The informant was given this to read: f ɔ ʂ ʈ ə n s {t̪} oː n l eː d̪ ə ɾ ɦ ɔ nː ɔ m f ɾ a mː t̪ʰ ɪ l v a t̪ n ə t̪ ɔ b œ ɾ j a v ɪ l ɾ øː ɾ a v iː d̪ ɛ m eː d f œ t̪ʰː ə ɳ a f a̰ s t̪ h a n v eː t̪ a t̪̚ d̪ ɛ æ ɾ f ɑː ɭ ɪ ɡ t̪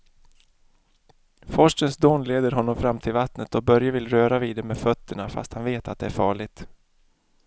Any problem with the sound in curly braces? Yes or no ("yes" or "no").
yes